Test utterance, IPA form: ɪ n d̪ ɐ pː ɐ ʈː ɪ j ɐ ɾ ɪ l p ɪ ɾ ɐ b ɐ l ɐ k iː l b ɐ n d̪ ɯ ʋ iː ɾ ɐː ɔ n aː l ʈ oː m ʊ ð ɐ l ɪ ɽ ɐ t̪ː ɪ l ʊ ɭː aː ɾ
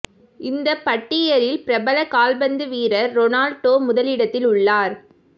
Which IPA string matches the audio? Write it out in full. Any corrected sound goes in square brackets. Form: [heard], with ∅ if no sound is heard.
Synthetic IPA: ɪ n d̪ ɐ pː ɐ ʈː ɪ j ɐ ɾ ɪ l p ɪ ɾ ɐ b ɐ l ɐ k [aː] l b ɐ n d̪ ɯ ʋ iː ɾ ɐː ɔ n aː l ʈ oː m ʊ ð ɐ l ɪ ɽ ɐ t̪ː ɪ l ʊ ɭː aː ɾ